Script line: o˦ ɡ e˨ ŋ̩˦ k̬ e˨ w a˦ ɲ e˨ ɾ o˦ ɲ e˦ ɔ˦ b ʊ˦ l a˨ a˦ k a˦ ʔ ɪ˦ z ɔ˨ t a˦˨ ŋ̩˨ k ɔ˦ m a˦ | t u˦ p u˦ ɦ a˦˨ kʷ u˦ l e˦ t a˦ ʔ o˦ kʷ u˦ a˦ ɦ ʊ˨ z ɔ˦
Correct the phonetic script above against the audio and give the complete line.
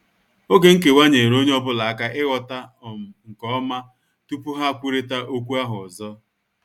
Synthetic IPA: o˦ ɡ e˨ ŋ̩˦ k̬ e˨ w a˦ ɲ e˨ ɾ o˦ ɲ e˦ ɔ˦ b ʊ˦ l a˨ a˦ k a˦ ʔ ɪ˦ ɣ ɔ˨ t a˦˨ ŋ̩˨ k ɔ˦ m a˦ | t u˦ p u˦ ɦ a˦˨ kʷ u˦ ɾ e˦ t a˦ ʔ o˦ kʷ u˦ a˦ ɦ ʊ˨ z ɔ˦

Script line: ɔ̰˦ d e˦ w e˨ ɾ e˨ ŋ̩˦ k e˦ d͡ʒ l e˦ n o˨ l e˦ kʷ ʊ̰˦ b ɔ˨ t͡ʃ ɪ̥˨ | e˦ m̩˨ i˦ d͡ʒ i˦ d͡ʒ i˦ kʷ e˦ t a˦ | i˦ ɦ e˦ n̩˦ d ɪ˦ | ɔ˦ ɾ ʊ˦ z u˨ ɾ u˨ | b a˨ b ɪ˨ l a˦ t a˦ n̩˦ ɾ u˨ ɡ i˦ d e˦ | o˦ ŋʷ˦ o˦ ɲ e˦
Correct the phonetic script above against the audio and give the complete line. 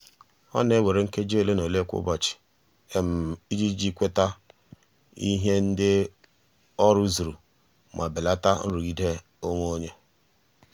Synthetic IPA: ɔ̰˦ n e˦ w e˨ ɾ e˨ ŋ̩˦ k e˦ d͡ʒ l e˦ n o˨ l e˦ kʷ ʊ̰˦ b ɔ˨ t͡ʃ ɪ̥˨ | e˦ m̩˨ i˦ d͡ʒ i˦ d͡ʒ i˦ kʷ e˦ t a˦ | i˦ ɦ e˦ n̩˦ d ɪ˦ | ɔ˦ ɾ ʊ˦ z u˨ ɾ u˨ | m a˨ b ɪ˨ l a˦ t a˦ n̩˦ ɾ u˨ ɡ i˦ d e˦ | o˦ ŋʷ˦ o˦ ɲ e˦

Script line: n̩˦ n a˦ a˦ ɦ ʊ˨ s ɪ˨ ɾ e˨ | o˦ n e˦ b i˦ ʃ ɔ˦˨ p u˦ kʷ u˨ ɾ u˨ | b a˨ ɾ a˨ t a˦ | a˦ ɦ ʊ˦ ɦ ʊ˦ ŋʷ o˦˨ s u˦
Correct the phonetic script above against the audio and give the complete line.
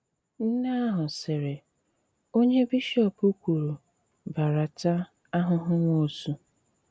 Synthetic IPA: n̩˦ n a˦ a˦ ɦ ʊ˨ s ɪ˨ ɾ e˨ | o˦ ɲ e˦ b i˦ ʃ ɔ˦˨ p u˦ kʷ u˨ ɾ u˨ | b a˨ ɾ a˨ t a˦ | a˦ ɦ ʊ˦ ɦ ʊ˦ ŋʷ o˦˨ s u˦

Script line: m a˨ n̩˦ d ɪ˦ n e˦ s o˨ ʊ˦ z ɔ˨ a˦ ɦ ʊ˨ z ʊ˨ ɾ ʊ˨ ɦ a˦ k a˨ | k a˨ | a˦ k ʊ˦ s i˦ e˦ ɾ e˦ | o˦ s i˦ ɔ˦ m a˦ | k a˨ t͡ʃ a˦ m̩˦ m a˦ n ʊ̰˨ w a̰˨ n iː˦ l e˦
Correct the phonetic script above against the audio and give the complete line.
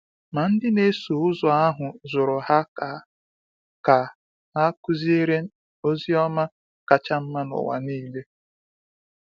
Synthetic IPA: m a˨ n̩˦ d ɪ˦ n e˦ s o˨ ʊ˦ z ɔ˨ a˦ ɦ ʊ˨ z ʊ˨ ɾ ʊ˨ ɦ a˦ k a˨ | k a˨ | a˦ k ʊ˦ z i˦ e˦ ɾ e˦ | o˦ z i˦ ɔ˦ m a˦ | k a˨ t͡ʃ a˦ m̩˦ m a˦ n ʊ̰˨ w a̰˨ n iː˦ l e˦

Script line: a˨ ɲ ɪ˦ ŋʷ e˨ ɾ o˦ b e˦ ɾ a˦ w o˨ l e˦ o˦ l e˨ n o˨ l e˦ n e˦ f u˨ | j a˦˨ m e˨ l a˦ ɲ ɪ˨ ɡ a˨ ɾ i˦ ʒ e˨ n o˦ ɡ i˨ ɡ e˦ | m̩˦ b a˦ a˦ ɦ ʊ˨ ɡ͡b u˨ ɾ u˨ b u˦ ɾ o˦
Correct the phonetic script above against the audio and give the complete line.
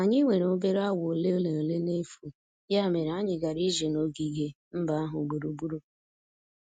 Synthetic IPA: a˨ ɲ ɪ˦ ŋʷ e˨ ɾ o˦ b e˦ ɾ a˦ w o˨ l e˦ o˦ l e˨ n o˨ l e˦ n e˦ f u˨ | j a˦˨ m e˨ ɾ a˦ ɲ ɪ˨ ɡ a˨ ɾ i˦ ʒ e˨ n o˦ ɡ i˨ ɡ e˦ | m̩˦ b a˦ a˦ ɦ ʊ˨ ɡ͡b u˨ ɾ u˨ b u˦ ɾ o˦

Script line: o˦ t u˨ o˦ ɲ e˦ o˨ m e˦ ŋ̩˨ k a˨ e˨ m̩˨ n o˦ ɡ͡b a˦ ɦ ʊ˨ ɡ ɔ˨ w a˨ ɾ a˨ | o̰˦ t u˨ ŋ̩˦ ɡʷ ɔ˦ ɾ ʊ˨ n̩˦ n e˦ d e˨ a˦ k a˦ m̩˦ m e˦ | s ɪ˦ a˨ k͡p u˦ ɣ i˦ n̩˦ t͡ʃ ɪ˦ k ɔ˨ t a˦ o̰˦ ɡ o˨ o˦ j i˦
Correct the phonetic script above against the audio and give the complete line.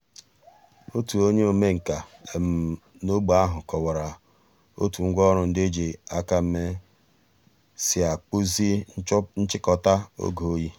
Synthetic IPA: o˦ t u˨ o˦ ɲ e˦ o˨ m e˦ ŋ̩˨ k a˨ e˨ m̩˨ n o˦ ɡ͡b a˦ ɦ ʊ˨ k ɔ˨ w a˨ ɾ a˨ | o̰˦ t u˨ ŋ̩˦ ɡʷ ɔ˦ ɾ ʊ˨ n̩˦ d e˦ d͡ʒ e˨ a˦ k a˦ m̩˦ m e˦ | s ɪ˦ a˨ k͡p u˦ z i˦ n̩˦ t͡ʃ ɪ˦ k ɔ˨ t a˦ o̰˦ ɡ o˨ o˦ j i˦

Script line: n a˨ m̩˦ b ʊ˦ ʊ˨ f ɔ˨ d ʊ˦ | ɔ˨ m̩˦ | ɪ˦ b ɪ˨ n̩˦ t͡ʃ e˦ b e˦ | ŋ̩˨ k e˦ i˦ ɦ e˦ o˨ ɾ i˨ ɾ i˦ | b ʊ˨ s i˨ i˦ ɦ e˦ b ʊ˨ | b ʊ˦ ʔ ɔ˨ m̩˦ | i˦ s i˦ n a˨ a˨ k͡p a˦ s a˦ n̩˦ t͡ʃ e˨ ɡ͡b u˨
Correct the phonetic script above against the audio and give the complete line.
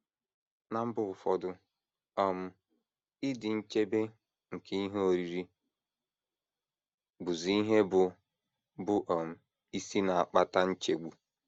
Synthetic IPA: n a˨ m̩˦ b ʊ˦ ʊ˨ f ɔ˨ d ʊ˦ | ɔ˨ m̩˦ | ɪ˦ d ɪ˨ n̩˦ t͡ʃ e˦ b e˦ | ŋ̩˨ k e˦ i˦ ɦ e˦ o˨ ɾ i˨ ɾ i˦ | b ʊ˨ z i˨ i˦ ɦ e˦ b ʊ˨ | b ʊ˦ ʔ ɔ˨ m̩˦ | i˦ s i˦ n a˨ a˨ k͡p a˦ t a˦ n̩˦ t͡ʃ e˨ ɡ͡b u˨

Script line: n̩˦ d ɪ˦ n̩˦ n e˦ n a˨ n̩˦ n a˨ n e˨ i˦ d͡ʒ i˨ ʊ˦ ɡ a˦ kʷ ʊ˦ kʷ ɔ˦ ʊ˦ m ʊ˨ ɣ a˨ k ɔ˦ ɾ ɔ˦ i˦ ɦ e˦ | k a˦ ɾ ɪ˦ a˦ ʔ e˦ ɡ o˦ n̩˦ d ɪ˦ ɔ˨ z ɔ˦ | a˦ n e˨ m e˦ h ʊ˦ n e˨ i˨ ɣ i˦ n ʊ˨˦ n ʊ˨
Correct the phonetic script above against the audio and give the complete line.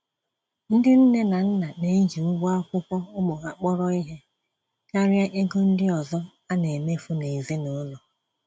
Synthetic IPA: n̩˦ d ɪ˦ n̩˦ n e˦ n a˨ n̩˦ n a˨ n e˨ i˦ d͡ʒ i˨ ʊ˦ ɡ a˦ kʷ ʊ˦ kʷ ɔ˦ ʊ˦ m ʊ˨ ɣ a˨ k͡p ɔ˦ ɾ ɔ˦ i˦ ɦ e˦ | k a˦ ɾ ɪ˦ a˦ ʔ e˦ ɡ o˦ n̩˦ d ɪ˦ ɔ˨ z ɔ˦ | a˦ n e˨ m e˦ f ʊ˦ n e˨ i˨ z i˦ n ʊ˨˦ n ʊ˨

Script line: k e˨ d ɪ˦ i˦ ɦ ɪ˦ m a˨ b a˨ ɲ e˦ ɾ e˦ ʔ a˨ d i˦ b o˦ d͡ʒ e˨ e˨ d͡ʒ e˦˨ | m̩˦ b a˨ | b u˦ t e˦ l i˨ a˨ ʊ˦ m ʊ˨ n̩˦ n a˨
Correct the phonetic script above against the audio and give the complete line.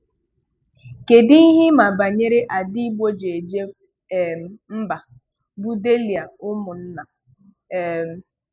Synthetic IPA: k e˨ d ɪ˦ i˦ ɦ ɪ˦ m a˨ b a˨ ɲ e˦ ɾ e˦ ʔ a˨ d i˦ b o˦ d͡ʒ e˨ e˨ d͡ʒ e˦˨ | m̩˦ b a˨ | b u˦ d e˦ l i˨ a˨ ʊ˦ m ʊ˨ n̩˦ n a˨

